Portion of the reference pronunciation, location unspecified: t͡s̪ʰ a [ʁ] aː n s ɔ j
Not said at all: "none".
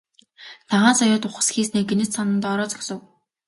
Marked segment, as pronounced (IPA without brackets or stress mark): ʁ